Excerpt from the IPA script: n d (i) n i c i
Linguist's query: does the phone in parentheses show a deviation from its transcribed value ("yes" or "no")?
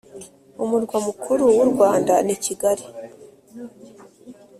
yes